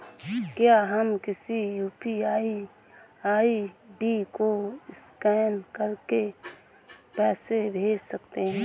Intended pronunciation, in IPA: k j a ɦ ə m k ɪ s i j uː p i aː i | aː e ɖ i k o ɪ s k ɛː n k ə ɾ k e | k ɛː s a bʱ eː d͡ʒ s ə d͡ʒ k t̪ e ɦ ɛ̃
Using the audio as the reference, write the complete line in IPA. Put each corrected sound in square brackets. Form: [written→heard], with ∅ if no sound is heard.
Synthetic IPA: k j a ɦ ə m k ɪ s i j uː p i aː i | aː [e→i] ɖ i k o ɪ s k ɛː n k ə ɾ k e | [k→p] ɛː s [a→e] bʱ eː d͡ʒ s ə [d͡ʒ→∅] k t̪ e ɦ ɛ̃